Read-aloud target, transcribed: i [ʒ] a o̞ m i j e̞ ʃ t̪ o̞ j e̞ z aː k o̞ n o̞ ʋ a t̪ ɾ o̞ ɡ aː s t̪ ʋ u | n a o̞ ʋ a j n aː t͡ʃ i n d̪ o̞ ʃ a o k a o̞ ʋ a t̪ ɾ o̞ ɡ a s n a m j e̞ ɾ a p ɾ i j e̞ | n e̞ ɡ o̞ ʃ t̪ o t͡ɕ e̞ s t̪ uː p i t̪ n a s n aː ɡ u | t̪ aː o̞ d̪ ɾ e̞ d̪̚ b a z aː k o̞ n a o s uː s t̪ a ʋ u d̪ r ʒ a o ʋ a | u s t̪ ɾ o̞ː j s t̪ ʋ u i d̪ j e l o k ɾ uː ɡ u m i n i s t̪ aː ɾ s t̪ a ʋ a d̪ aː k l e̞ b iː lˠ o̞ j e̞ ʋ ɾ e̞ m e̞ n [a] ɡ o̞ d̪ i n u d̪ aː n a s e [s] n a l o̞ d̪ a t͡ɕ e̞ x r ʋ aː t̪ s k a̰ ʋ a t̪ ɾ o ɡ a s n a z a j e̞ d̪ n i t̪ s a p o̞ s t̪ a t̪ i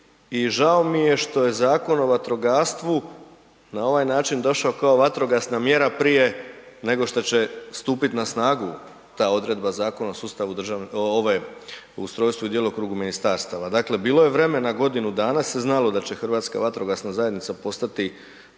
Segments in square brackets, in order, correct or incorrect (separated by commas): correct, correct, incorrect